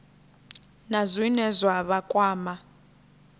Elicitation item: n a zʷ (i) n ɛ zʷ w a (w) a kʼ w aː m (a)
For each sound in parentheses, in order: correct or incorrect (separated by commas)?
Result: correct, incorrect, correct